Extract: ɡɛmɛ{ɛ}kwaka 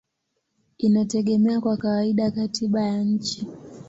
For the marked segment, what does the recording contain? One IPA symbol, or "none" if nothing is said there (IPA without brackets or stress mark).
a